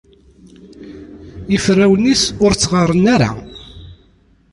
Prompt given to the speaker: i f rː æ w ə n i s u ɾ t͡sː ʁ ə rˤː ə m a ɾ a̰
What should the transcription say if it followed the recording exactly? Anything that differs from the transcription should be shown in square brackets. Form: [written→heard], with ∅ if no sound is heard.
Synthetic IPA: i f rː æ w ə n i s [u→ʊ] ɾ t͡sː ʁ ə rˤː ə [m→n] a ɾ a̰